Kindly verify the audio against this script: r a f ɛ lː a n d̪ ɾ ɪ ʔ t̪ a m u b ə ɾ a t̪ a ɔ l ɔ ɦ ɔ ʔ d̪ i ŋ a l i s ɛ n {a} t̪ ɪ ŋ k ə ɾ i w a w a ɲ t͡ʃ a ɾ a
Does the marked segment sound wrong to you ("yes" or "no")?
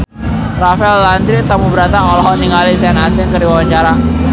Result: no